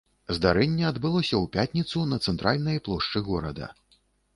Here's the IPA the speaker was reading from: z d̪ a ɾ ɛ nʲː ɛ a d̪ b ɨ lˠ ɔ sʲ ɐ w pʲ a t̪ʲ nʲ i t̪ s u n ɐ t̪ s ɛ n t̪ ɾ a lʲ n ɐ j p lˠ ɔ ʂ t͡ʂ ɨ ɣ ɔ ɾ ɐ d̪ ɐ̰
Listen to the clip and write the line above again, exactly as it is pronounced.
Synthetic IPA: z d̪ a ɾ ɛ nʲː ɛ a d̪ b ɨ lˠ ɔ sʲ ɐ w pʲ a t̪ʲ nʲ i t̪ s u n ɐ t̪ s ɛ n t̪ ɾ a lʲ n ɐ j p lˠ ɔ ʂ t͡ʂ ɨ ɣ ɔ ɾ ɐ d̪ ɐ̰